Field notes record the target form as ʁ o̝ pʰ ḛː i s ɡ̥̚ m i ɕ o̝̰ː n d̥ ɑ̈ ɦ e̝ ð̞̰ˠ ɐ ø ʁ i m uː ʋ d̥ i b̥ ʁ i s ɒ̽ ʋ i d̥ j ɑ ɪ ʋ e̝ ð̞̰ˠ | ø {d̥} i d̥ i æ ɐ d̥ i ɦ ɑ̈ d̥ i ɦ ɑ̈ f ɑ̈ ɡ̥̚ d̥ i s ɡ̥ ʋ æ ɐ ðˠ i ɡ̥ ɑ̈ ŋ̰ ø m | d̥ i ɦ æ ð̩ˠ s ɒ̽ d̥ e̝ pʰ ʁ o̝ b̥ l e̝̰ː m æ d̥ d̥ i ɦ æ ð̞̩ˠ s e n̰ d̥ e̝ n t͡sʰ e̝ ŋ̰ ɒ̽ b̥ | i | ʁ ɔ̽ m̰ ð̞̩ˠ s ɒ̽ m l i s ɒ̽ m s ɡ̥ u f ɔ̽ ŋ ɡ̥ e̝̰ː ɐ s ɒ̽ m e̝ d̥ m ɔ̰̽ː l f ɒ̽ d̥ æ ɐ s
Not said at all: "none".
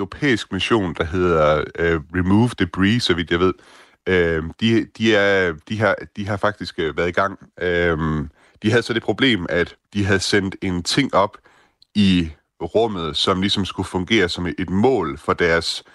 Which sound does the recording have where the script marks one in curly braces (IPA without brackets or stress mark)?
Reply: d̥